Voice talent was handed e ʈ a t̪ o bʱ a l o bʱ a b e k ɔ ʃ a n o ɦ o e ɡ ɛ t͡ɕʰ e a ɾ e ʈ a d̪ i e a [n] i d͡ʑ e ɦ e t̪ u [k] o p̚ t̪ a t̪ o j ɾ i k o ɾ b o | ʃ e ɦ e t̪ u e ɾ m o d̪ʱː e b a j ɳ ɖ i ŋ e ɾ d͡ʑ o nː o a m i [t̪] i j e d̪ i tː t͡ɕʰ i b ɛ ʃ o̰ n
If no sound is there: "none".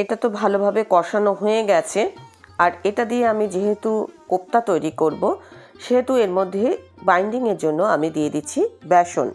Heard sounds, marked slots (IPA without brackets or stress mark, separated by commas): m, k, d̪